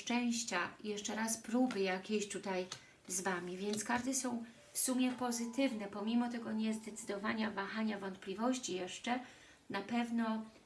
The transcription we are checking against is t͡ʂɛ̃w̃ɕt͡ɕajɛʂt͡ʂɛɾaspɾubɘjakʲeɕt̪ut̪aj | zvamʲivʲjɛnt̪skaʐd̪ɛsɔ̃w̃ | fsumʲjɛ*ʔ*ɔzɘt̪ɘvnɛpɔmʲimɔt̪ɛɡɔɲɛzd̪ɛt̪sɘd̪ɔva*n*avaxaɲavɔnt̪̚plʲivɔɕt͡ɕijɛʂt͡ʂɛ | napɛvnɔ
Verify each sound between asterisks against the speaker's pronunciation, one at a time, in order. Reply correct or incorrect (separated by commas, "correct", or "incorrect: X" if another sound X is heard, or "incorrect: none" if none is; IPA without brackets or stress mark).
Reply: incorrect: p, incorrect: ɲ